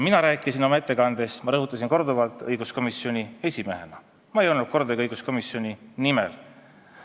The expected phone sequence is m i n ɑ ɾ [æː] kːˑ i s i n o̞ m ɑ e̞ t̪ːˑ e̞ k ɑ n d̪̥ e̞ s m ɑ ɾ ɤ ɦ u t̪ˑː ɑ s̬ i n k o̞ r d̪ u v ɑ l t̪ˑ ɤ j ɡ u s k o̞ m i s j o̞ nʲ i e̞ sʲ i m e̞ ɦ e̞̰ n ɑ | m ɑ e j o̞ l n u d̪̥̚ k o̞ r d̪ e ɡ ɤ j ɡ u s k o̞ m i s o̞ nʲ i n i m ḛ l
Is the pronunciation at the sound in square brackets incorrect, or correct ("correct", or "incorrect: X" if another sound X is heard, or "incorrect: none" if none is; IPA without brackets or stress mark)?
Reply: correct